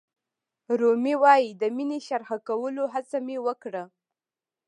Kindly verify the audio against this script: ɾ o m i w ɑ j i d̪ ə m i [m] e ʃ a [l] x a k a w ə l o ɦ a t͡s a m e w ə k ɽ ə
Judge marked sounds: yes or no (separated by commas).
no, no